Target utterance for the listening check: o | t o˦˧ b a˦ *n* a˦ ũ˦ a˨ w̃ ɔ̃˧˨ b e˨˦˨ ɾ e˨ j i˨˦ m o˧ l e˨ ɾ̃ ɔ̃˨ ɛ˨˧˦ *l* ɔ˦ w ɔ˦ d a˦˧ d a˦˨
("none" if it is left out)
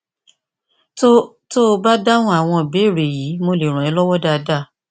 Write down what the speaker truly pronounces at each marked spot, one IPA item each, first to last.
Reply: d, l

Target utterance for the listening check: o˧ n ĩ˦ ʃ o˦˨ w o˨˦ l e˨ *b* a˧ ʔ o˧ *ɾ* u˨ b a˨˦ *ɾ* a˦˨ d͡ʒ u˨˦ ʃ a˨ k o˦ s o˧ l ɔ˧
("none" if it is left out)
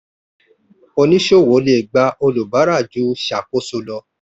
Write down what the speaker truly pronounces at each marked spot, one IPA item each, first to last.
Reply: ɡ͡b, l, ɾ

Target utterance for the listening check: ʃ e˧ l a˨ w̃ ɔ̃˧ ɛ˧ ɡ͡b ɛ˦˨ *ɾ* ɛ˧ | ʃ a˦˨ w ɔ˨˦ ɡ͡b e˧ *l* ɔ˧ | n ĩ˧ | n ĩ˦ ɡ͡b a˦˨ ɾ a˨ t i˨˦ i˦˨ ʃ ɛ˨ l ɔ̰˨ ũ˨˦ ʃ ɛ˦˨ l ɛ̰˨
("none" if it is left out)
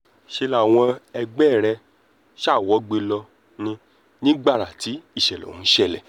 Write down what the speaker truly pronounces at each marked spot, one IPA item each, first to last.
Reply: ɾ, l

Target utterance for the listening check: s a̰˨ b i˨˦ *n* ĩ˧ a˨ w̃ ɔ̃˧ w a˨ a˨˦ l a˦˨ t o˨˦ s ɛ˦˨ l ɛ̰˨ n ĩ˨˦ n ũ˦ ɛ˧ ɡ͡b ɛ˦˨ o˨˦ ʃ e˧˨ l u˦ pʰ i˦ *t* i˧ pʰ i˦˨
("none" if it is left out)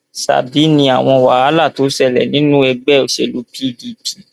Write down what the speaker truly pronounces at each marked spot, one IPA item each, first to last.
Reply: n, d

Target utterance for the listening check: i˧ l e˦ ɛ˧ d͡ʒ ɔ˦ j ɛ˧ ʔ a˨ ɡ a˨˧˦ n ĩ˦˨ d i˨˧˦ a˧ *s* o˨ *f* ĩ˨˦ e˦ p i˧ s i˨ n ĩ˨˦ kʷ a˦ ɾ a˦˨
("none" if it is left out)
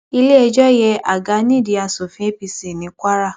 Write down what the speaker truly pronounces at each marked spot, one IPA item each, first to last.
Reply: s, f

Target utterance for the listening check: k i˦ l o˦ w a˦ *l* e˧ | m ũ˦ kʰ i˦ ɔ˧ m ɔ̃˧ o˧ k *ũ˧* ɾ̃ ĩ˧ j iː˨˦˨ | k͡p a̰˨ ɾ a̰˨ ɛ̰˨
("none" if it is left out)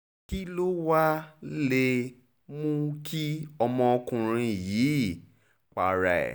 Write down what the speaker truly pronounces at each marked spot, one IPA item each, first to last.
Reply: l, ũ˧

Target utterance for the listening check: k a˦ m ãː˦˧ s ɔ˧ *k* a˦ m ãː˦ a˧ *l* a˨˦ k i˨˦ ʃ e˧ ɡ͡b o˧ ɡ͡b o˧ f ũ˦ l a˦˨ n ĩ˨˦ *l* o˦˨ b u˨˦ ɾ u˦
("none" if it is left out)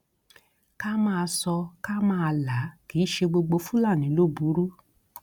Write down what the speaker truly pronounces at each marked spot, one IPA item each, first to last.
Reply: k, l, l

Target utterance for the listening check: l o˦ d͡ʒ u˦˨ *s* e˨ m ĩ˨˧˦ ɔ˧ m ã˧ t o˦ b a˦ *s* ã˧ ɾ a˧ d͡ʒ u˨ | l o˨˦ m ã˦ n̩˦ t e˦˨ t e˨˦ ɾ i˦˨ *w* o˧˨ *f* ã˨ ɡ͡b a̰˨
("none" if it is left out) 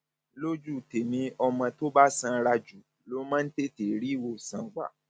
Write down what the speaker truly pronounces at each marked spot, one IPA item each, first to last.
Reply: t, s, w, s

